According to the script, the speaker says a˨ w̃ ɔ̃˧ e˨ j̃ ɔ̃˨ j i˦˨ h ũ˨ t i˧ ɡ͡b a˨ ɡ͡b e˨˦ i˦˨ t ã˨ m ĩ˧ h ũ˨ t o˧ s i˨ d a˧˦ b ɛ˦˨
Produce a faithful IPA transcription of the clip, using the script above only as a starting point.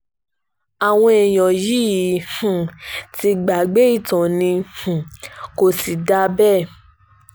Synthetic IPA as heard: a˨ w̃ ɔ̃˧ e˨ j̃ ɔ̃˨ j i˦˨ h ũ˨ t i˧ ɡ͡b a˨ ɡ͡b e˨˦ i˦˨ t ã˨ n ĩ˧ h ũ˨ k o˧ s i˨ d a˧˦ b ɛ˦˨